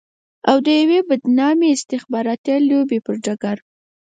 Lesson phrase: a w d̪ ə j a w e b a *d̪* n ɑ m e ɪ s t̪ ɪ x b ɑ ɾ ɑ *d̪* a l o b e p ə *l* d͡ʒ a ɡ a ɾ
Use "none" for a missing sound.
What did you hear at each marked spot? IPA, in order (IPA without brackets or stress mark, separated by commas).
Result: d̪, t̪, ɾ